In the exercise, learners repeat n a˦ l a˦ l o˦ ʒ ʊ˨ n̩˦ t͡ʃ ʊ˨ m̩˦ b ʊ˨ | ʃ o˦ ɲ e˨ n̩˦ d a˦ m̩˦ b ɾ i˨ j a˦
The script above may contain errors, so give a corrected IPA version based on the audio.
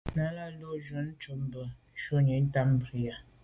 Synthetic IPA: n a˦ l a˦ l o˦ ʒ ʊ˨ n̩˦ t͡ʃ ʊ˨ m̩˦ b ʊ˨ | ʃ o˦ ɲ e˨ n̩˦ t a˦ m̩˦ b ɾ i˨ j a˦